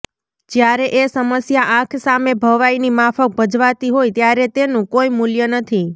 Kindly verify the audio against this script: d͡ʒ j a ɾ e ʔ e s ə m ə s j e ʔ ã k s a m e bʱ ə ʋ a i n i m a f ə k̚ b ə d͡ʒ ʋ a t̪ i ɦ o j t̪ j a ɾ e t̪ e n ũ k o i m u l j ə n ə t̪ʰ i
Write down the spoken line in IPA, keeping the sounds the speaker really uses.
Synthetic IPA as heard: d͡ʒ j a ɾ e ʔ e s ə m ə s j a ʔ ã kʰ s a m e bʱ ə ʋ a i n i m a f ə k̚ b ə d͡ʒ ʋ a t̪ i ɦ o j t̪ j a ɾ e t̪ e n ũ k o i m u l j ə n ə t̪ʰ i